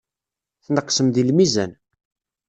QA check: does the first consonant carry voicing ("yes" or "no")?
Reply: no